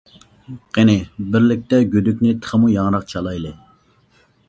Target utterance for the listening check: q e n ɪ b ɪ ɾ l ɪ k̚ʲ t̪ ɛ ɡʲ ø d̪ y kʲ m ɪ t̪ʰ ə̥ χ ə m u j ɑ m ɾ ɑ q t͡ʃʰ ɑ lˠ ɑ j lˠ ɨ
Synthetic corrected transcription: q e n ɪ b ɪ ɾ l ɪ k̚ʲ t̪ ɛ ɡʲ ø d̪ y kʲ n ɪ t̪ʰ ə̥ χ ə m u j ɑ ŋ ɾ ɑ q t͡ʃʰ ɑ lˠ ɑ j lˠ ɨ